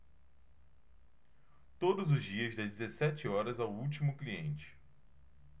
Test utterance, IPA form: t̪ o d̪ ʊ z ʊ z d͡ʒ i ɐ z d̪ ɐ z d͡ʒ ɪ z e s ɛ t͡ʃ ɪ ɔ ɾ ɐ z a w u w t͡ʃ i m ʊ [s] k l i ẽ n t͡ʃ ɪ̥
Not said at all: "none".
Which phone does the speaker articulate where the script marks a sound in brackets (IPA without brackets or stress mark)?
none